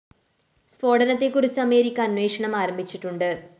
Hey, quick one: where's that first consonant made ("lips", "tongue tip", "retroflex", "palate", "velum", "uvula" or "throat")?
tongue tip